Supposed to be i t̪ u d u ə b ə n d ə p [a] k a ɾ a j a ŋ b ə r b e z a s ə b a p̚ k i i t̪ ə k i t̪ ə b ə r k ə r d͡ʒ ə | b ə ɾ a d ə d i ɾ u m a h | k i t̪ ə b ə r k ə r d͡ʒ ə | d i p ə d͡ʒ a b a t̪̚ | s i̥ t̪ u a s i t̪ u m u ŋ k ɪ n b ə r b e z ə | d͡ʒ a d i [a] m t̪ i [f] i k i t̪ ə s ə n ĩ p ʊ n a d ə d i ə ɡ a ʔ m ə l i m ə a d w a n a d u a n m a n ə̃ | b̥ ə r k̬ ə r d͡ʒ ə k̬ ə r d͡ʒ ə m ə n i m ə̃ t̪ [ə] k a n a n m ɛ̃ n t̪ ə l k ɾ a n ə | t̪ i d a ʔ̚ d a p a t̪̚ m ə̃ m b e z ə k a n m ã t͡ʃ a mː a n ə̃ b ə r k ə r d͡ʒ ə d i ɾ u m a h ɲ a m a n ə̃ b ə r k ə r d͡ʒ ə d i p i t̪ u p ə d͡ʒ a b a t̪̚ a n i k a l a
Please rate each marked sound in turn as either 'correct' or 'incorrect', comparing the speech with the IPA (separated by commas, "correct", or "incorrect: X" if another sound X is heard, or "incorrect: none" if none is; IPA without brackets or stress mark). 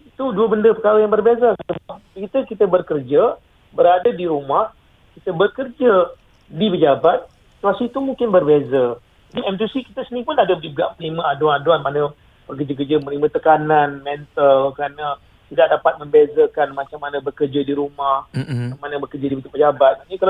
incorrect: ə, incorrect: ɛ, incorrect: s, correct